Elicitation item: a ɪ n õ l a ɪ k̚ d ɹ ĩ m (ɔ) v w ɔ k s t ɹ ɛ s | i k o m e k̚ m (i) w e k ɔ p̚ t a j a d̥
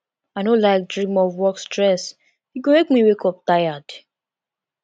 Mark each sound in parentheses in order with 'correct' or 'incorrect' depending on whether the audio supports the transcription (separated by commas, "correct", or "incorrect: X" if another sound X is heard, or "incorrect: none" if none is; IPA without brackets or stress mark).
correct, correct